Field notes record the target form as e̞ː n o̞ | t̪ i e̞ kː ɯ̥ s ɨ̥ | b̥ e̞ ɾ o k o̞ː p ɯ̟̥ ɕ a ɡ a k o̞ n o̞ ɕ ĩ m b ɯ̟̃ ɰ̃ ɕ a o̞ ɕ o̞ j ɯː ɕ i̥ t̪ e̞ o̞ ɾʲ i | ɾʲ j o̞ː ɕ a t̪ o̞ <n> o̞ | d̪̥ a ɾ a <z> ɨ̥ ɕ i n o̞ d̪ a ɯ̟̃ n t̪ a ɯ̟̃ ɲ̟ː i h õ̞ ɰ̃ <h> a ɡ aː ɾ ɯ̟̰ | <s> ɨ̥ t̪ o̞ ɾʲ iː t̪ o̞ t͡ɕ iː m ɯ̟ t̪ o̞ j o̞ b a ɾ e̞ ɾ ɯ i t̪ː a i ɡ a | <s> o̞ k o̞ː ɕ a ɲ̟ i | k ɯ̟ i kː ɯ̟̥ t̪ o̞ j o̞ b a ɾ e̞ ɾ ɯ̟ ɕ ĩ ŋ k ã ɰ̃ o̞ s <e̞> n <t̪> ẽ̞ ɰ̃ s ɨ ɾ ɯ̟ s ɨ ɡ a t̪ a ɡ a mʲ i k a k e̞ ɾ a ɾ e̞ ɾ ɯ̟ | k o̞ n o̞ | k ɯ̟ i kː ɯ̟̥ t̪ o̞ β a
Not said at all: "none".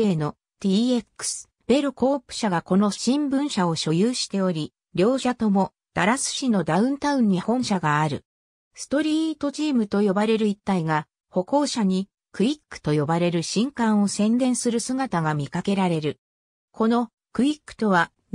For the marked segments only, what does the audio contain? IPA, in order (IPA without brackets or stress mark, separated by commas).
m, s, ɕ, s, h, ẽ̞, d̪